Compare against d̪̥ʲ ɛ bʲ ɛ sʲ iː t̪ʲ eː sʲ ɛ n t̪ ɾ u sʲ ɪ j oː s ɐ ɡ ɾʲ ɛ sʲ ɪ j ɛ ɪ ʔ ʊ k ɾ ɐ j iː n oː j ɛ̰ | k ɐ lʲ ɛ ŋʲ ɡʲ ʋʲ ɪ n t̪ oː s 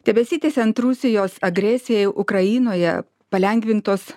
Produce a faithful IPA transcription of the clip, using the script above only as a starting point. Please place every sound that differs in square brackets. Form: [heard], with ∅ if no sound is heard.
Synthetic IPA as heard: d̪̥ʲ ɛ bʲ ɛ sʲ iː t̪ʲ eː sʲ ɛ n t̪ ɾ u sʲ ɪ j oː s ɐ ɡ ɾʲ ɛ sʲ ɪ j ɛ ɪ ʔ ʊ k ɾ ɐ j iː n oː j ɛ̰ | [p] ɐ lʲ ɛ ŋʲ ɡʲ ʋʲ ɪ n t̪ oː s